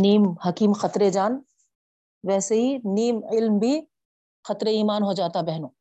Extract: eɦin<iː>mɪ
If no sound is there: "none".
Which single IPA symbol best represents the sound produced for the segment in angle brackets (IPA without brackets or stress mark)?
iː